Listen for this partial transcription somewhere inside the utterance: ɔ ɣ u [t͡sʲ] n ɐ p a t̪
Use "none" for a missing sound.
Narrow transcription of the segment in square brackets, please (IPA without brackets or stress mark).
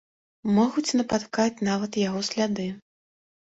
t͡sʲ